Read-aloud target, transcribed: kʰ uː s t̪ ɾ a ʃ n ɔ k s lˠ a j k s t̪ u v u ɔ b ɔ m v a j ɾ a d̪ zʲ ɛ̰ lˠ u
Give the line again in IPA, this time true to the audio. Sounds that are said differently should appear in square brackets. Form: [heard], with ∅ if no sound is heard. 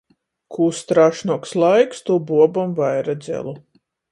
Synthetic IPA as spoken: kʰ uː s t̪ ɾ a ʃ n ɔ k s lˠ a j k s t̪ u [b] u ɔ b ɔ m v a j ɾ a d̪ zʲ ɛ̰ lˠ u